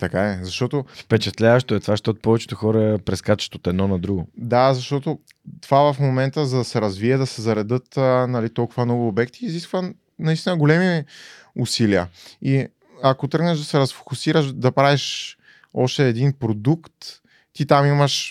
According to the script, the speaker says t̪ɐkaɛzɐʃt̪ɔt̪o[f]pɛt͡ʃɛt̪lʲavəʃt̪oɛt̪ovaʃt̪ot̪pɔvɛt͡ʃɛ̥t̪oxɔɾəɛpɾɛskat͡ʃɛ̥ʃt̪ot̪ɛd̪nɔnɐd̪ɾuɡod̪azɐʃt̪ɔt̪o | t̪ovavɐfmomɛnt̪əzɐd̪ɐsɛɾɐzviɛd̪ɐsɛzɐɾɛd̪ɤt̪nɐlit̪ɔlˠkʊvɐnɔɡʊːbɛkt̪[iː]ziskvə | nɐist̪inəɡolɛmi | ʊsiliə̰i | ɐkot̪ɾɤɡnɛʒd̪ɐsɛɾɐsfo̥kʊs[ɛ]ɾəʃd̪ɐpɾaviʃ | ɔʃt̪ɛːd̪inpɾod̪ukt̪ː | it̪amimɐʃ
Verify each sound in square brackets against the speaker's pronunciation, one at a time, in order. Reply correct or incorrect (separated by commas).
correct, correct, incorrect